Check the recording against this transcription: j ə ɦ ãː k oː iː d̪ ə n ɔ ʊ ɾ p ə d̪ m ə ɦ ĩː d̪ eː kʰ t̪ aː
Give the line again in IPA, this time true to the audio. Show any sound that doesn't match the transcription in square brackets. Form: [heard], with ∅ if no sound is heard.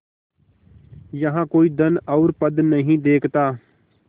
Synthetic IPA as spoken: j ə ɦ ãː k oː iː d̪ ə n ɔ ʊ ɾ p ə d̪ [n] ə ɦ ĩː d̪ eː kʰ t̪ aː